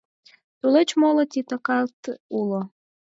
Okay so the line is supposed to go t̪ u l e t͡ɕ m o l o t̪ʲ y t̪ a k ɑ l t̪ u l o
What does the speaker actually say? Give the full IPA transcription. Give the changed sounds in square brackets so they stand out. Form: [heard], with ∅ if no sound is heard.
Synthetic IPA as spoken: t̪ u l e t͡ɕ m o l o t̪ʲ [i] t̪ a k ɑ l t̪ u l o